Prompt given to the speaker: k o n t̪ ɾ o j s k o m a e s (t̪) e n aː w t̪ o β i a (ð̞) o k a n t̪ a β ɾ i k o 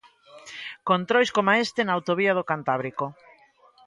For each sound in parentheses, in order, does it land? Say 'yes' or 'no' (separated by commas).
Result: yes, yes